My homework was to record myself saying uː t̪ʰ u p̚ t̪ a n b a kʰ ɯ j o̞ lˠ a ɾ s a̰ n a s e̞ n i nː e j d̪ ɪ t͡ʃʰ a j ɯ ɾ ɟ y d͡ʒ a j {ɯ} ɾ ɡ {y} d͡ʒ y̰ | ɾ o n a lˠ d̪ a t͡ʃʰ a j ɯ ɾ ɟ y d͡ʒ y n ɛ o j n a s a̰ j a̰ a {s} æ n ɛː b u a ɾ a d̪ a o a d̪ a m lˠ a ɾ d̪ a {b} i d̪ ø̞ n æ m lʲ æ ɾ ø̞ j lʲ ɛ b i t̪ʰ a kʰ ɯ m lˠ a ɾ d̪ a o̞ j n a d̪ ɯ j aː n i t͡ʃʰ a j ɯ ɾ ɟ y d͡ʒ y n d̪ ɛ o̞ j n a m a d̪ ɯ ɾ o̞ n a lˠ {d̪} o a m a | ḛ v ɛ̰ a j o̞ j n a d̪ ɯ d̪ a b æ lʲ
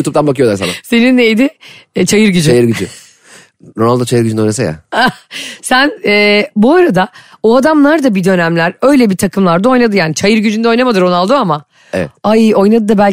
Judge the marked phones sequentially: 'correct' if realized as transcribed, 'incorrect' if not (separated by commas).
correct, correct, correct, correct, correct